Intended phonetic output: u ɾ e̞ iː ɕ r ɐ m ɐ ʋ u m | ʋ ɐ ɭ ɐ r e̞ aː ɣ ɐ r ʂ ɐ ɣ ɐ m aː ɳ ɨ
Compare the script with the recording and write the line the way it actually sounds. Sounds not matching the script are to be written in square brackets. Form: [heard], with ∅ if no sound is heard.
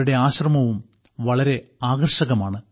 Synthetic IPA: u [ɽ] e̞ [aː] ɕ r ɐ m ɐ ʋ u m | ʋ ɐ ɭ ɐ [ɾ] e̞ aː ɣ ɐ r ʂ ɐ ɣ ɐ m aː ɳ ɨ